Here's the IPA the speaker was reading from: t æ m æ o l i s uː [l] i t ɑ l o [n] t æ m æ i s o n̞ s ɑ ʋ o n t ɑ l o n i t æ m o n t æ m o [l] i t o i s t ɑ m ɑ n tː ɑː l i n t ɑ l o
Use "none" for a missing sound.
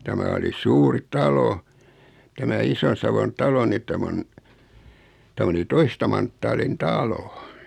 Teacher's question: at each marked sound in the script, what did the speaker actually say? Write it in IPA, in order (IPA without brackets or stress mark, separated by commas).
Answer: r, none, l